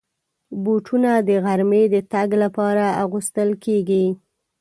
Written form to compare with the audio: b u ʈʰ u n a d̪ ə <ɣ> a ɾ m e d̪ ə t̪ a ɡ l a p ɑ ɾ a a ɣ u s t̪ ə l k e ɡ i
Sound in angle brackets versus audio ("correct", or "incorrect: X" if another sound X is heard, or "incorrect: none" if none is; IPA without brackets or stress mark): correct